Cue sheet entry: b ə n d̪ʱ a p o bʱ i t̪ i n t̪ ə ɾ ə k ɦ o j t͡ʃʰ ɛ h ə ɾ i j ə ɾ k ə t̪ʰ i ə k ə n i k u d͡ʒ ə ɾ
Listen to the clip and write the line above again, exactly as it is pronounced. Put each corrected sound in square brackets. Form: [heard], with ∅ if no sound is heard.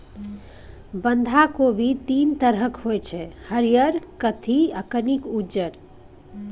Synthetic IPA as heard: b ə n d̪ʱ a [k] o bʱ i t̪ i n t̪ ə ɾ ə k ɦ o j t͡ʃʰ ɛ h ə ɾ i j ə ɾ k ə t̪ʰ i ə k ə n i k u d͡ʒ ə ɾ